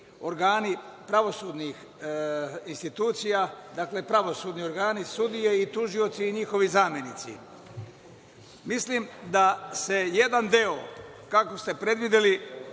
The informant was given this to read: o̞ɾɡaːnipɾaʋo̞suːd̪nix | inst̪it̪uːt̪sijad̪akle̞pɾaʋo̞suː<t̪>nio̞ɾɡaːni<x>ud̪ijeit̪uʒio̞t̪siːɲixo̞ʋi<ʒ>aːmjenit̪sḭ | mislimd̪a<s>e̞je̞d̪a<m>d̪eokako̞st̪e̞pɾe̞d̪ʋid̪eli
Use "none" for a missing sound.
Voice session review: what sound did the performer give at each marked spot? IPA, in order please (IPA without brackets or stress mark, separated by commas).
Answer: d̪, s, z, s, n